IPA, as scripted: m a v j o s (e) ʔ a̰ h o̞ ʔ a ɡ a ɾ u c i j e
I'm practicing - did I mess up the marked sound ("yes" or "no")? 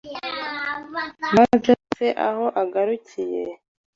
no